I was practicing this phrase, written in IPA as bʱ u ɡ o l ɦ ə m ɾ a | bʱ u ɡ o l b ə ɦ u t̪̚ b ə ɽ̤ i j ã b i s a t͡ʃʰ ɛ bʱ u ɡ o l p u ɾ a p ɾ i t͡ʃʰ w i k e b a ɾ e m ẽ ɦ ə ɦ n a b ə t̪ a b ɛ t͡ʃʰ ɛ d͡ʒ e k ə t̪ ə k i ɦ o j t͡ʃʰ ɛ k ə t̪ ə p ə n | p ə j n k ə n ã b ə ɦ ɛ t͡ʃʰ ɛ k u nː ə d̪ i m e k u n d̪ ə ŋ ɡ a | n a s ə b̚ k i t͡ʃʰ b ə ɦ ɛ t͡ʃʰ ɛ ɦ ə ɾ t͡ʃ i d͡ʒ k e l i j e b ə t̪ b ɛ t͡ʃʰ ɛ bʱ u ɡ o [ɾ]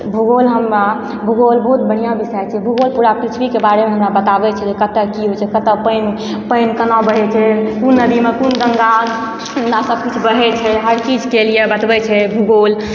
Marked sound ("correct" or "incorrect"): incorrect